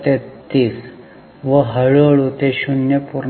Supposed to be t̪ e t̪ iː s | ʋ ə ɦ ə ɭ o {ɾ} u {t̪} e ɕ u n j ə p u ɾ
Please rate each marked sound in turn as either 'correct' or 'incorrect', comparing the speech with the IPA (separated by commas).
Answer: incorrect, correct